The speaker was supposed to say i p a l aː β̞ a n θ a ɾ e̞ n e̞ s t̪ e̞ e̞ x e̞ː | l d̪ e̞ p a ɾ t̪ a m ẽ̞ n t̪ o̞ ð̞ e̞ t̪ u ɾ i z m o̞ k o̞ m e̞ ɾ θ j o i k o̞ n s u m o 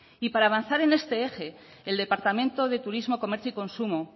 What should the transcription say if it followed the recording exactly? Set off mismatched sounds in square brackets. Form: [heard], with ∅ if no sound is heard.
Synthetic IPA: i p a [ɾ] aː β̞ a n θ a ɾ e̞ n e̞ s t̪ e̞ e̞ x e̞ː | l d̪ e̞ p a ɾ t̪ a m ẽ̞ n t̪ o̞ ð̞ e̞ t̪ u ɾ i z m o̞ k o̞ m e̞ ɾ θ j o i k o̞ n s u m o